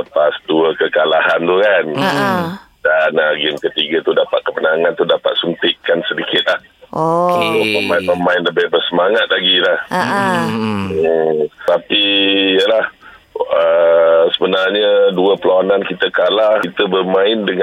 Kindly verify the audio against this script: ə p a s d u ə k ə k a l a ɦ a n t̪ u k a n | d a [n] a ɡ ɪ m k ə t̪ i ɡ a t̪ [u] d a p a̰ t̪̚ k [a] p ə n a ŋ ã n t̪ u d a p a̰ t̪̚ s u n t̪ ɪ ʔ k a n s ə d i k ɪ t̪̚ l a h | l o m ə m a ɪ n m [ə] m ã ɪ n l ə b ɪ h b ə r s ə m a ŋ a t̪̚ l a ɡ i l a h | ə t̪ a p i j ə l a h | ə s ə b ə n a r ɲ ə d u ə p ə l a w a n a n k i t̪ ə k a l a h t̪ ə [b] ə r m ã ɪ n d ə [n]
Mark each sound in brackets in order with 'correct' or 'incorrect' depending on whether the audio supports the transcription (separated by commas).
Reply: correct, correct, incorrect, correct, correct, incorrect